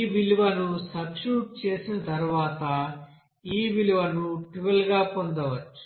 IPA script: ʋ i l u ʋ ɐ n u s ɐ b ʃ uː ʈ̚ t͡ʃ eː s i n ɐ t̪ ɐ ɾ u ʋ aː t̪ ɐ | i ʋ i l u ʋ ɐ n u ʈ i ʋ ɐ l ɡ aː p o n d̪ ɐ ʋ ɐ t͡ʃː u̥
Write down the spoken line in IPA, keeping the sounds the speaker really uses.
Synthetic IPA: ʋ i l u ʋ ɐ n u s ɐ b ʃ uː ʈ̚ t͡ʃ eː s i n ɐ t̪ ɐ ɾ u ʋ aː t̪ ɐ | iː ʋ i l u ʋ ɐ n u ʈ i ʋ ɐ l ɡ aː p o n d̪ ɐ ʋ ɐ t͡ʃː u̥